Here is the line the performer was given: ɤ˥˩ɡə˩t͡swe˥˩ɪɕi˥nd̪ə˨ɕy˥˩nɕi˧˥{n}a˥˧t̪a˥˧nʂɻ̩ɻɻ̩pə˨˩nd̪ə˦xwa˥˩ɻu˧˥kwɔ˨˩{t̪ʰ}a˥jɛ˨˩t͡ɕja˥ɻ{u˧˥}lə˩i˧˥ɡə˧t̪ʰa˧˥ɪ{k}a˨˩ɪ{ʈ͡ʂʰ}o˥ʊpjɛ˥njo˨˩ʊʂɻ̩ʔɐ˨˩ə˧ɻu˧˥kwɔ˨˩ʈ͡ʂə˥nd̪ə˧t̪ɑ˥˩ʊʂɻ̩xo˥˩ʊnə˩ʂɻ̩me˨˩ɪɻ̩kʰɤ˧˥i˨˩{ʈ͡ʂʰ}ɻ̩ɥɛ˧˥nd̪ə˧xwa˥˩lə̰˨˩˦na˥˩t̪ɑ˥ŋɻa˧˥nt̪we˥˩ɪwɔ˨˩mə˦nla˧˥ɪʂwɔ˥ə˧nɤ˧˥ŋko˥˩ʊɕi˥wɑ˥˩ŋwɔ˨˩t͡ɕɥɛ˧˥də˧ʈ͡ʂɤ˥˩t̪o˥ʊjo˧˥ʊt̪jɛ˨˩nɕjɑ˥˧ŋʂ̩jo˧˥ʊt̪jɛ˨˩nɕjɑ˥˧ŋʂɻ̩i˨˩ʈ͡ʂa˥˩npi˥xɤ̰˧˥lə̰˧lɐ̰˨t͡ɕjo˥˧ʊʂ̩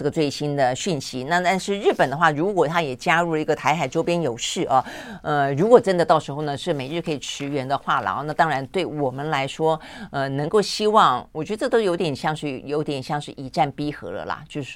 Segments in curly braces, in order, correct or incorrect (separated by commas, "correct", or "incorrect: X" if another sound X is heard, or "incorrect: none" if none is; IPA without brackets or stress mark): correct, correct, incorrect: u˥˩, incorrect: x, incorrect: ʈ͡ʂ, correct